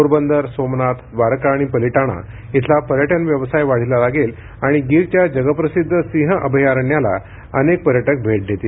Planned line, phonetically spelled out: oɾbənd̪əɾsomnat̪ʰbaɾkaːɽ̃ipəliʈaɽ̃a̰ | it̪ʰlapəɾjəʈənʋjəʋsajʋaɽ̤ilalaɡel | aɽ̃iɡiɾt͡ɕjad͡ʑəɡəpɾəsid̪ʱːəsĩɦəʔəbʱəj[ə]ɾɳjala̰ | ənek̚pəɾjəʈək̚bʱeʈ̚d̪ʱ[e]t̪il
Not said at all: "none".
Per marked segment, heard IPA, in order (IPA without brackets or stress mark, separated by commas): a, e